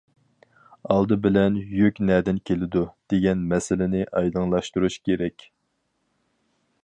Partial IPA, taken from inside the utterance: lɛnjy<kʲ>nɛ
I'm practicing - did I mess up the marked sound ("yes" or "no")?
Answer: no